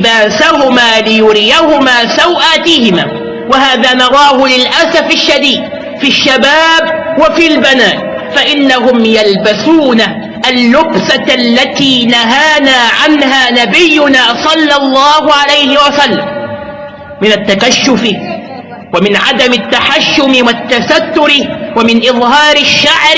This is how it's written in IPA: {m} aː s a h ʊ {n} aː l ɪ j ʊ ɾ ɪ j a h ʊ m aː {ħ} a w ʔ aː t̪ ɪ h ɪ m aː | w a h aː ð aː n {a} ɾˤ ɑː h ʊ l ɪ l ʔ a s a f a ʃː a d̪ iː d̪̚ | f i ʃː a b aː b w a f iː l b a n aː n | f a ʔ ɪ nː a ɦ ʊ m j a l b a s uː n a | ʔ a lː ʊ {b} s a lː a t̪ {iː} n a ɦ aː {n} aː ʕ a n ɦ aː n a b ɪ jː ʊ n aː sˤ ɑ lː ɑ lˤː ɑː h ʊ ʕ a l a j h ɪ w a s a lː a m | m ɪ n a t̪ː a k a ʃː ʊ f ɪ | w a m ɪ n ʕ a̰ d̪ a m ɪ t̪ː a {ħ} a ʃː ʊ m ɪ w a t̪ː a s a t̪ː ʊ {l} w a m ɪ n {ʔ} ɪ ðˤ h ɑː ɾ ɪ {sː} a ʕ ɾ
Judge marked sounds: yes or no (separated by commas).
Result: no, no, no, no, yes, yes, yes, yes, no, yes, no